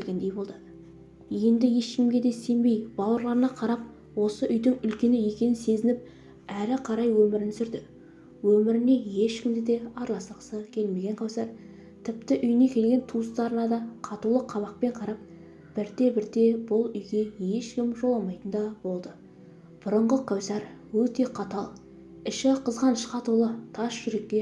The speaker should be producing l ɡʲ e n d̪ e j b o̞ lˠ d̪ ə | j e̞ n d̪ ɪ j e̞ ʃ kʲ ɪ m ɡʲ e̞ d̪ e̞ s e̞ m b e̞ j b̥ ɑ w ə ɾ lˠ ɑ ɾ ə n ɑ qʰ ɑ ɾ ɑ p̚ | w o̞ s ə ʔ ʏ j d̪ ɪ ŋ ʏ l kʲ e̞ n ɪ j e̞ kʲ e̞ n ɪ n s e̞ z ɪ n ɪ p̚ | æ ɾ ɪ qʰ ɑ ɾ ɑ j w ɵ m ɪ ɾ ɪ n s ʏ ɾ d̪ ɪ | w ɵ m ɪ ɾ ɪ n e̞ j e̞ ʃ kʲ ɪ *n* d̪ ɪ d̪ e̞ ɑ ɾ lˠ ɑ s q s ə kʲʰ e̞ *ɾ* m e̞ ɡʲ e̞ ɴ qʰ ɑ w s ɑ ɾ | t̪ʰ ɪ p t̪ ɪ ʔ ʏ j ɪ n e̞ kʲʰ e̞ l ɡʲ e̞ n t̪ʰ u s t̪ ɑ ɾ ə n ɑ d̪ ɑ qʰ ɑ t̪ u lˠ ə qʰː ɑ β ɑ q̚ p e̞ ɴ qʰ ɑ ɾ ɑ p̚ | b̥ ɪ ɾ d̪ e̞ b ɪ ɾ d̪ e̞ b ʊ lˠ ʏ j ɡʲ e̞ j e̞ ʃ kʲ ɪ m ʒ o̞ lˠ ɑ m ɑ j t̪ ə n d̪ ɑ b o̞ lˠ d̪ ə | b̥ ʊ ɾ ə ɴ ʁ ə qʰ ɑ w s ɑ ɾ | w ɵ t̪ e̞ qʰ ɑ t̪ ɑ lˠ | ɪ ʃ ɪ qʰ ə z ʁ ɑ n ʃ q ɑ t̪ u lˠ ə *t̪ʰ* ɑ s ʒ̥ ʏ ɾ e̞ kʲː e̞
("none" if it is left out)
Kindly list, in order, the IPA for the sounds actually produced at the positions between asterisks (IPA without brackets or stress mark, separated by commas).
m, l, t̪ʰ